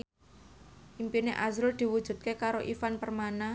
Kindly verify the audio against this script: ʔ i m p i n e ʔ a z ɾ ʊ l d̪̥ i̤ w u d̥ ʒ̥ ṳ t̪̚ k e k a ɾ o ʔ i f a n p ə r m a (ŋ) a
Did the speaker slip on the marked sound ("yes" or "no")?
yes